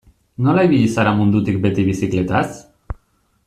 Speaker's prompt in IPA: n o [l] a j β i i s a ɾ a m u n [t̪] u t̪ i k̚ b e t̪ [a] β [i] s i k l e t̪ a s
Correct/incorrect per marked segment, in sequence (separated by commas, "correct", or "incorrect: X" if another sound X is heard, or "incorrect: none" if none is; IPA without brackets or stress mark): correct, incorrect: d̪, incorrect: i, correct